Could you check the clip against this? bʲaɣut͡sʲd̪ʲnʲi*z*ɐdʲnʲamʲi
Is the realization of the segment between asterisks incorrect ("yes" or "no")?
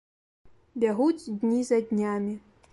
no